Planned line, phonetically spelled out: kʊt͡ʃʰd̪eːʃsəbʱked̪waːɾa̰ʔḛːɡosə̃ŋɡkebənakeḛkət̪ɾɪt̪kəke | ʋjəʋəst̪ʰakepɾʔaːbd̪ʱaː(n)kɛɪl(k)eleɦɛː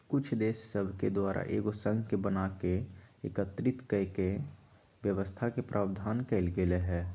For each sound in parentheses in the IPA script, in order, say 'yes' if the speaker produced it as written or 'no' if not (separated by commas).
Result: yes, no